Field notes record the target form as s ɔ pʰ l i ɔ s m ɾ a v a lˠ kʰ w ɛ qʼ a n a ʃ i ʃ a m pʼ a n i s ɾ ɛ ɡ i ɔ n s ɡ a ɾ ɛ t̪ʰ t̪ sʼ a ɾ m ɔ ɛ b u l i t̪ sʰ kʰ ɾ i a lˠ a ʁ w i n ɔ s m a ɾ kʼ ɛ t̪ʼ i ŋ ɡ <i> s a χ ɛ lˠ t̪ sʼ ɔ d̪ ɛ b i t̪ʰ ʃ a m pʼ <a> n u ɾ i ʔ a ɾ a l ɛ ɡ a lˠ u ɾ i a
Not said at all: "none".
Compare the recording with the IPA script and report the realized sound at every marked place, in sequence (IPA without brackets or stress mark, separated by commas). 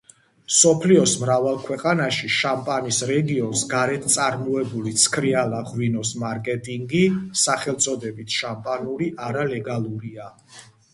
i, a